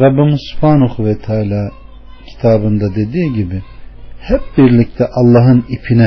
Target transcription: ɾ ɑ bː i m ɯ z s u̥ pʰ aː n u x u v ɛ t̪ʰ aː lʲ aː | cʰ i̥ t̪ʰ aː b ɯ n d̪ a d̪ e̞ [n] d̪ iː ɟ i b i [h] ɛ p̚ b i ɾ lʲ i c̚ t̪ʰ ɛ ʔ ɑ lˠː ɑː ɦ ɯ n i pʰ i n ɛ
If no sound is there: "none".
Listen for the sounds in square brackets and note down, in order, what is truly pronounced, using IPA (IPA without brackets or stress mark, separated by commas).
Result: none, h